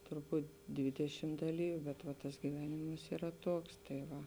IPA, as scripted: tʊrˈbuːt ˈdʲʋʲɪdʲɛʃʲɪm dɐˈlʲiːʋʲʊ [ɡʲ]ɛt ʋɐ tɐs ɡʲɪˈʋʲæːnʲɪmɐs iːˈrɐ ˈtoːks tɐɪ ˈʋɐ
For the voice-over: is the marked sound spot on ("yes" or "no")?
no